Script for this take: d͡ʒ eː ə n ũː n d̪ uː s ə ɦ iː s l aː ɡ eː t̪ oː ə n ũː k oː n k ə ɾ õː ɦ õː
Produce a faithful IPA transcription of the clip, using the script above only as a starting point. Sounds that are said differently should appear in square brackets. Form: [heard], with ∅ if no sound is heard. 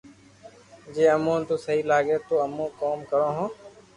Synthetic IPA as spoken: d͡ʒ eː ə [m] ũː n [t̪] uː s ə ɦ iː [∅] l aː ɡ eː t̪ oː ə [m] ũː k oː [m] k ə ɾ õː ɦ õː